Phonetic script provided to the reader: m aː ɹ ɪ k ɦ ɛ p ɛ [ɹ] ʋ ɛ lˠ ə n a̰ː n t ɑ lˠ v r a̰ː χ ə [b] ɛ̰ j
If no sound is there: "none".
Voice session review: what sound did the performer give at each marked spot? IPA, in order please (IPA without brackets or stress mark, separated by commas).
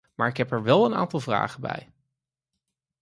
ɹ, b